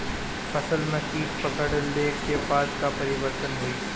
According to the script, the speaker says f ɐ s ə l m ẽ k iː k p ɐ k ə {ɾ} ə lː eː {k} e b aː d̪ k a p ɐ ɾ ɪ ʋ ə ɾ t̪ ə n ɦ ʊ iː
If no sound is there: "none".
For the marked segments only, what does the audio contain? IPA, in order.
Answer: ɽ, k

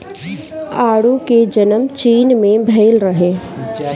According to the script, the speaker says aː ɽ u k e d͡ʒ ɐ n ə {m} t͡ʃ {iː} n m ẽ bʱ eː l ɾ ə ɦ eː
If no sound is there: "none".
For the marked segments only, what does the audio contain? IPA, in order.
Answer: m, iː

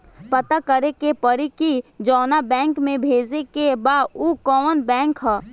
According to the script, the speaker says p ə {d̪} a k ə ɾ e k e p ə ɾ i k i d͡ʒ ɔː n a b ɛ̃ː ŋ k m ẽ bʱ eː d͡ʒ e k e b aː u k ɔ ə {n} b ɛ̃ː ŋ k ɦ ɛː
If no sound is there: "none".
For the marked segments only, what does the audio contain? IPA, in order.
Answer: t̪, n

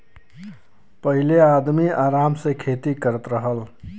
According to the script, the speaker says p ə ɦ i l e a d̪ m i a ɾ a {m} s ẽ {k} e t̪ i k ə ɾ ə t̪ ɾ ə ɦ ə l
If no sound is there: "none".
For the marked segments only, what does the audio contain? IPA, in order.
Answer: m, kʰ

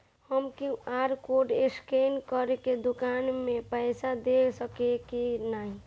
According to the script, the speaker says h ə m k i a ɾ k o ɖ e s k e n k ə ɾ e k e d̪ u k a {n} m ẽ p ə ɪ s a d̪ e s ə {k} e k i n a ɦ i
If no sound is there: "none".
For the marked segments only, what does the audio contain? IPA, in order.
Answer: n, k

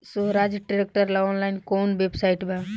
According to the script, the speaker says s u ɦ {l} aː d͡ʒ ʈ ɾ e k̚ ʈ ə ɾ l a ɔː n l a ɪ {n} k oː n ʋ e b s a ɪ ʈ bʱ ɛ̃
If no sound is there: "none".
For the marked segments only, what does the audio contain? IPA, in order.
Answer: ɾ, n

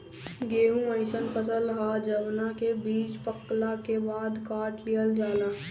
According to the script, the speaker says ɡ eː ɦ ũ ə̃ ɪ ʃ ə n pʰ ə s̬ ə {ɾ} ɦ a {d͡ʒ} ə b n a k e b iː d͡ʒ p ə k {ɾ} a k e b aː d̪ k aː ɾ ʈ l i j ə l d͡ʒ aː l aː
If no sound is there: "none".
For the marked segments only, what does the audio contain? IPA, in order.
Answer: l, d͡ʒ, l

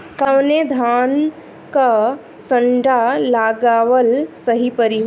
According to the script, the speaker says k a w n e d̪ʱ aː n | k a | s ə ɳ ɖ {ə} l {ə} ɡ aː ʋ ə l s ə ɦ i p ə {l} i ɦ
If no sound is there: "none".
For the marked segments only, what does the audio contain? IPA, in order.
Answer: a, a, ɾ

